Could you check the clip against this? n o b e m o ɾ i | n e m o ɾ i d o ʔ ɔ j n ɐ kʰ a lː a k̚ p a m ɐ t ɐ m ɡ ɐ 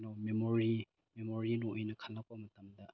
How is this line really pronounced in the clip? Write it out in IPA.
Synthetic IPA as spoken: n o m e m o ɾ i | m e m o ɾ i n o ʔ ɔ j n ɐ kʰ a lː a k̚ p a m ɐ t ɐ m d ɐ

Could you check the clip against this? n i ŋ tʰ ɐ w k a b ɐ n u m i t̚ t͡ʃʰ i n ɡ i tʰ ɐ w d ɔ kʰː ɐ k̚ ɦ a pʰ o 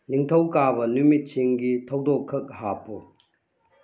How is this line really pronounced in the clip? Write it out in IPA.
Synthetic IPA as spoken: n i ŋ tʰ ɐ w k a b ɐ n u m i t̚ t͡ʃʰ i ŋ ɡ i tʰ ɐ w d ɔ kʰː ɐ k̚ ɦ a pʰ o

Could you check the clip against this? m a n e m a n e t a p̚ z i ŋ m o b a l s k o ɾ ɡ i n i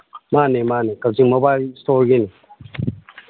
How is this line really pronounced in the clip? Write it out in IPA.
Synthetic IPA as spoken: m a n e m a n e k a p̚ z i ŋ m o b a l s t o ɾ ɡ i n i

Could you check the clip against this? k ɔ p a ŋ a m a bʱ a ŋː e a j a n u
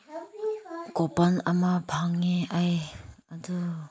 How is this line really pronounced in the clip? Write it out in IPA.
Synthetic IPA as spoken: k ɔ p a n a m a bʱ a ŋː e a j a d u

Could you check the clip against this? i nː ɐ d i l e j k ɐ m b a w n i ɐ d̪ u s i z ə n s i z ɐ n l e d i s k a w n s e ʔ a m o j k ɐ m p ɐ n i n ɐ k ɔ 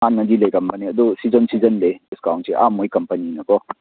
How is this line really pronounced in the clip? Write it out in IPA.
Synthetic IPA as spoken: a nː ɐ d i l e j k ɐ m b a n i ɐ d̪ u s i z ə n s i z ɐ n l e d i s k a w n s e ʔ a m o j k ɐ m p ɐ n i n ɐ k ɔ

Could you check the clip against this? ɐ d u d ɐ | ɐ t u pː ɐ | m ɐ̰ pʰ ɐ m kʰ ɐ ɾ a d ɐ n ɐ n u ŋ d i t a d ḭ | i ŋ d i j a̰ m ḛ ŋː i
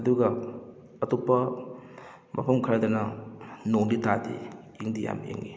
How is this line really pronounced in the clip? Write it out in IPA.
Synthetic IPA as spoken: ɐ d u ɡ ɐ | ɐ t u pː ɐ | m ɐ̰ pʰ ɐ m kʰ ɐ ɾ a d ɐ n ɐ n o ŋ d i t a d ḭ | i ŋ d i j a̰ m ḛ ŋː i

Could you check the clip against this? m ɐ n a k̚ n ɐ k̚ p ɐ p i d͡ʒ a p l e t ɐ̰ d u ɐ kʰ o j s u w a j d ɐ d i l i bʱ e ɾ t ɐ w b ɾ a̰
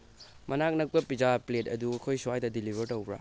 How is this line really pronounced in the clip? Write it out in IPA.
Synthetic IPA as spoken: m ɐ n a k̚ n ɐ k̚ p ɐ p i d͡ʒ a p l e t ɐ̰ d u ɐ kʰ o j s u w a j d ɐ d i l i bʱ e ɾ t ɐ w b ɾ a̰

